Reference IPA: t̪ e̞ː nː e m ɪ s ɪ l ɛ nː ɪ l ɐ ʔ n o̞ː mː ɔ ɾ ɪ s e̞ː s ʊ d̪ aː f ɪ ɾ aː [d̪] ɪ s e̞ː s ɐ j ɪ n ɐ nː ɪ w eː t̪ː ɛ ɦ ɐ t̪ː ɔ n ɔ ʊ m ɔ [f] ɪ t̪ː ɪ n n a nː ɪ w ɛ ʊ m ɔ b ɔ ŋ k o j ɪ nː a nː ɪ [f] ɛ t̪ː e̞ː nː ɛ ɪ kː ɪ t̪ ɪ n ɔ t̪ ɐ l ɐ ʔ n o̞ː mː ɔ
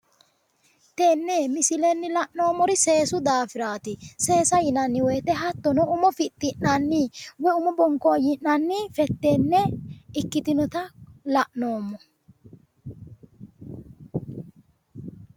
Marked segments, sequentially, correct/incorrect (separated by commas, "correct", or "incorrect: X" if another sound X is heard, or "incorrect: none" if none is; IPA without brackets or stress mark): incorrect: t̪, correct, correct